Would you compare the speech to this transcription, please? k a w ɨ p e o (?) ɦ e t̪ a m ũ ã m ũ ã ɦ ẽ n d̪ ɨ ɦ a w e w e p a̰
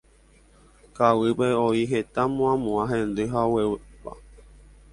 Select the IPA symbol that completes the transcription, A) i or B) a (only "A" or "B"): A